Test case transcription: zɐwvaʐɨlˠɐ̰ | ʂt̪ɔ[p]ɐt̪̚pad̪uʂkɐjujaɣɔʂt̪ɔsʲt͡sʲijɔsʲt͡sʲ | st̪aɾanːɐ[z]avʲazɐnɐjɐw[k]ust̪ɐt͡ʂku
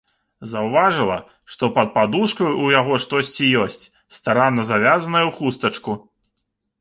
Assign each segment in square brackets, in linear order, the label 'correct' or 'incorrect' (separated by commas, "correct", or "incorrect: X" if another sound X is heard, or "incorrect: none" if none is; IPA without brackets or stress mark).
correct, correct, incorrect: x